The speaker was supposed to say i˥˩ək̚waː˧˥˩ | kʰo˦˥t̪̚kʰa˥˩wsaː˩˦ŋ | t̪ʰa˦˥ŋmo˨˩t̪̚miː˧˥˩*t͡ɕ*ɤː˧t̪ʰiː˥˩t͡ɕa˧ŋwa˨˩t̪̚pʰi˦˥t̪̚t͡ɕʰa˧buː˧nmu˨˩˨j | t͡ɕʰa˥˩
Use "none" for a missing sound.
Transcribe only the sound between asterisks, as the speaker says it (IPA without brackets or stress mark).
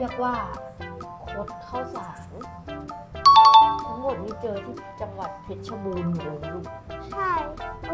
t͡ɕ